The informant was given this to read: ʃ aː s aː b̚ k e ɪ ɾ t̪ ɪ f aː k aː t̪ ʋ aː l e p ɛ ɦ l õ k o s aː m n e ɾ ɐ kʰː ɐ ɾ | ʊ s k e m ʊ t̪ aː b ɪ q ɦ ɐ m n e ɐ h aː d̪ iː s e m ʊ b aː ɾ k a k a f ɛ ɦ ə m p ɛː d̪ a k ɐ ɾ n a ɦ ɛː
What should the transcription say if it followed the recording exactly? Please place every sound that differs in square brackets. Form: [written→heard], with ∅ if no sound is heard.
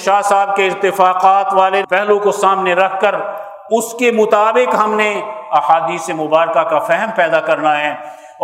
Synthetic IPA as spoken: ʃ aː s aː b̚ k e ɪ ɾ t̪ ɪ f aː [k→q] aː t̪ ʋ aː l e p ɛ ɦ l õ k o s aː m n e ɾ ɐ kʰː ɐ ɾ | ʊ s k e m ʊ t̪ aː b ɪ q ɦ ɐ m n e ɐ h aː d̪ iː s e m ʊ b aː ɾ k a k a f ɛ ɦ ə m p ɛː d̪ a k ɐ ɾ n a ɦ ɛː